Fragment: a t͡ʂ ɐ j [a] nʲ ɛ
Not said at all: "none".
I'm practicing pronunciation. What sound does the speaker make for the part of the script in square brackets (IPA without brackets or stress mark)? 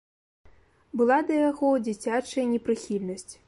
ɐ